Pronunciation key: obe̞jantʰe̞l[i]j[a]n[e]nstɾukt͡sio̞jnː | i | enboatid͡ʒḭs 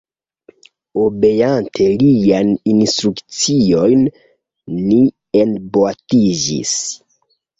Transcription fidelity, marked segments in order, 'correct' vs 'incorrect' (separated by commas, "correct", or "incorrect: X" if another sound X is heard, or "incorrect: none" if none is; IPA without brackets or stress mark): correct, correct, incorrect: i